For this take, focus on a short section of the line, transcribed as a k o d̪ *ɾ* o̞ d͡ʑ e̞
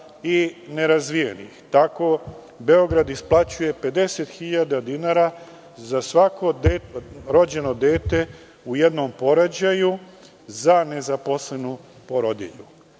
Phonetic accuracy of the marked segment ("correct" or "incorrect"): correct